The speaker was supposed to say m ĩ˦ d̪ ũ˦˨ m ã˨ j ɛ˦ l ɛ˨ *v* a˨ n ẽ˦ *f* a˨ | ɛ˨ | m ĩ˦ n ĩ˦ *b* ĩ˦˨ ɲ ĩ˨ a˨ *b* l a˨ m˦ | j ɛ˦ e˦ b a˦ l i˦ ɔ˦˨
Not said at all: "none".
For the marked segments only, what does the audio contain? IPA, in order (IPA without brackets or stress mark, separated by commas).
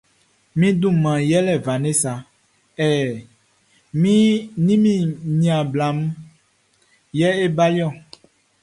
v, s, m, b